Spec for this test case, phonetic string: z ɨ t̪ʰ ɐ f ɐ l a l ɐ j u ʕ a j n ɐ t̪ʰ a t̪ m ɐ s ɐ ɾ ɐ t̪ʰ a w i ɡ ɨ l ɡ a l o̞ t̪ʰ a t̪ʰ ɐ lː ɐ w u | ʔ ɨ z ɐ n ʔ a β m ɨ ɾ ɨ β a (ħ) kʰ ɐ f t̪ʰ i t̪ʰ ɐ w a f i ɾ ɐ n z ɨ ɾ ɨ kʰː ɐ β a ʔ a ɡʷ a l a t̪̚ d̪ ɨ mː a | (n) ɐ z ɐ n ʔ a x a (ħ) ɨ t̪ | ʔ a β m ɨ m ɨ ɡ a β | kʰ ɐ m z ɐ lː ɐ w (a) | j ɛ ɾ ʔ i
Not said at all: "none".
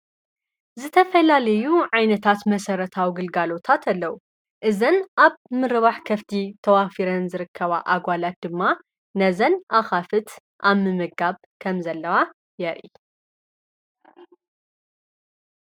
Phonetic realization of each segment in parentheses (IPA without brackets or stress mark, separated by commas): ħ, n, f, a